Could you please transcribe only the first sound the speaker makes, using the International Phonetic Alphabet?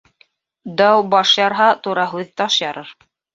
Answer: d̪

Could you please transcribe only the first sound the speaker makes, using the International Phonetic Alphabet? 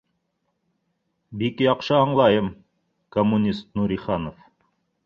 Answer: b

